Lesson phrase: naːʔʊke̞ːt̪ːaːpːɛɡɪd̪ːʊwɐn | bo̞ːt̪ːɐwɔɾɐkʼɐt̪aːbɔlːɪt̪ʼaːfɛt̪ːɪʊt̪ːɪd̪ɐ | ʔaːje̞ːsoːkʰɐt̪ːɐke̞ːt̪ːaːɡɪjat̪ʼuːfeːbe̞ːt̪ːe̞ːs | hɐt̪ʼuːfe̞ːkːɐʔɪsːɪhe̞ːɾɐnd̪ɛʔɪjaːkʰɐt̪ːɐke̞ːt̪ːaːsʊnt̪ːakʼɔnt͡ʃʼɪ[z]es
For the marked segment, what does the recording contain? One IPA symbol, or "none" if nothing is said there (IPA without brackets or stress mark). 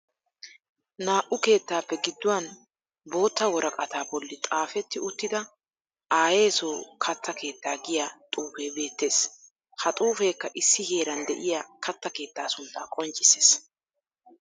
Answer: s